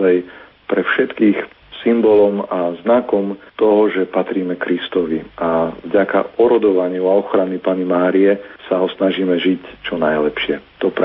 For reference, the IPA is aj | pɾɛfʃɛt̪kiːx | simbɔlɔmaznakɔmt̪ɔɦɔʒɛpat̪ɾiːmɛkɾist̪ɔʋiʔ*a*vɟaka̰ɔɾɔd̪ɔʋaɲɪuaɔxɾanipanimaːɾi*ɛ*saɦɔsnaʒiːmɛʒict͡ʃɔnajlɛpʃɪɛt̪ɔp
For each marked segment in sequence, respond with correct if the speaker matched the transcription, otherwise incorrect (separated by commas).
correct, correct